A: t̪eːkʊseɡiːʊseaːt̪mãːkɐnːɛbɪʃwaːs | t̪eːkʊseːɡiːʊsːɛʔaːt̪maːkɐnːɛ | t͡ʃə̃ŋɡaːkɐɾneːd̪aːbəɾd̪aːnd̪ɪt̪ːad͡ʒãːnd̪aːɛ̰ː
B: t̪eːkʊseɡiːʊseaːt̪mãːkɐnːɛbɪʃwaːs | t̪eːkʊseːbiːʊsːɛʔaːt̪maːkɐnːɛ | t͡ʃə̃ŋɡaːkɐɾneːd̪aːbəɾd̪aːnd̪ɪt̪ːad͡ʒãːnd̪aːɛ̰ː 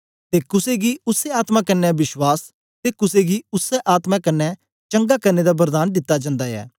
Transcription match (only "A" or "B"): A